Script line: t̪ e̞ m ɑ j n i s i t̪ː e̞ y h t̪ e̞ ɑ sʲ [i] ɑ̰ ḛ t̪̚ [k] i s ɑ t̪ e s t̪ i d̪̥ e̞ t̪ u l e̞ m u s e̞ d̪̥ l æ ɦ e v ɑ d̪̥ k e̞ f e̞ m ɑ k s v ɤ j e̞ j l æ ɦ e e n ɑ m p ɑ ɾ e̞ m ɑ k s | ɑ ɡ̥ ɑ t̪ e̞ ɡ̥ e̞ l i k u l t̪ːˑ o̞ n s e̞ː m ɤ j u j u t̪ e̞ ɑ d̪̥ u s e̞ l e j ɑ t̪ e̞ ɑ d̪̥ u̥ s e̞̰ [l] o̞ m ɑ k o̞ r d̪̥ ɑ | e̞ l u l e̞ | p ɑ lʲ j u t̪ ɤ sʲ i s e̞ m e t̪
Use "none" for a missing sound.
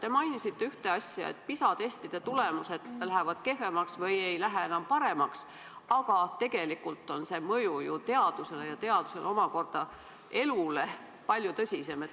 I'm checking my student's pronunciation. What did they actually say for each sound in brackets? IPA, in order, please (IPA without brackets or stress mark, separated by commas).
j, p, l